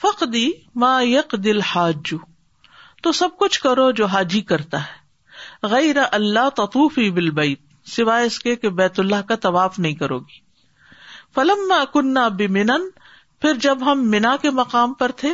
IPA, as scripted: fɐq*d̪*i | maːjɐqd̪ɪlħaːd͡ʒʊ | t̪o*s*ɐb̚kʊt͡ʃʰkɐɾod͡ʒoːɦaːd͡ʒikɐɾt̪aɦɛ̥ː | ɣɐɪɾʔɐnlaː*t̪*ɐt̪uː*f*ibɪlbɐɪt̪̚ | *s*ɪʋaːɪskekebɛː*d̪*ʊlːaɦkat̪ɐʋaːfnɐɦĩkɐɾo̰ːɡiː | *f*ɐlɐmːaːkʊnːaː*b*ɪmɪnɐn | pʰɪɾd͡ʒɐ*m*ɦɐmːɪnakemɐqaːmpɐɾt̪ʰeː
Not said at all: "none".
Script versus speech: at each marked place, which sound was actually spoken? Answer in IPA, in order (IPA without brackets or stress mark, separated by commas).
d̪, s, t̪, f, s, t̪, f, b, b